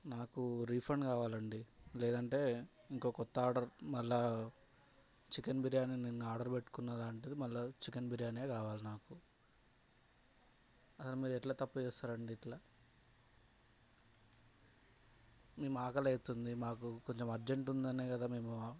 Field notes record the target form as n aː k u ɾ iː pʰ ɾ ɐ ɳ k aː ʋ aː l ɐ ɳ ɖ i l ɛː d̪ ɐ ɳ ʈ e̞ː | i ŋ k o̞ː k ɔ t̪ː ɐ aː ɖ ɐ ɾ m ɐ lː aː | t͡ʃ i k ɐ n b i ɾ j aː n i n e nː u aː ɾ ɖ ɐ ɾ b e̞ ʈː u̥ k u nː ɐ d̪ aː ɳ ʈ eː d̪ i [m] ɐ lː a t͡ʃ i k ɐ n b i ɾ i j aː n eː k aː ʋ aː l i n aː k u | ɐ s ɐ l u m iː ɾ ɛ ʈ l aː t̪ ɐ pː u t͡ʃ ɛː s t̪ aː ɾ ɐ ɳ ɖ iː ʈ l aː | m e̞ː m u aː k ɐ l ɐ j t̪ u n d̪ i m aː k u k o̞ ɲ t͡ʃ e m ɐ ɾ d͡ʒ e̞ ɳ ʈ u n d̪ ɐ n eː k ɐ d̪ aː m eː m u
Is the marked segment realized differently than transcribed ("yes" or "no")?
no